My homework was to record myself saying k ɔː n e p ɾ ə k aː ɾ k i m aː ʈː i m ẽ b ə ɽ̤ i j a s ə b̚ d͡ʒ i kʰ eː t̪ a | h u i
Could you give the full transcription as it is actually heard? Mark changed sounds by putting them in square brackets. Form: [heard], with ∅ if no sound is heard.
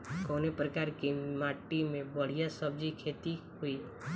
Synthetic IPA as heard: k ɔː n e p ɾ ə k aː ɾ k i m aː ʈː i m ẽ b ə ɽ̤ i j a s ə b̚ d͡ʒ i kʰ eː t̪ [i] | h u i